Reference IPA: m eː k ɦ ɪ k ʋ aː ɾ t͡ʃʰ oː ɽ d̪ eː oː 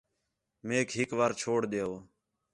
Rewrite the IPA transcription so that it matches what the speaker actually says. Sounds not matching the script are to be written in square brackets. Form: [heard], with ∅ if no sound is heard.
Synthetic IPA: m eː k ɦ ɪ k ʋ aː ɾ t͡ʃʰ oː ɽ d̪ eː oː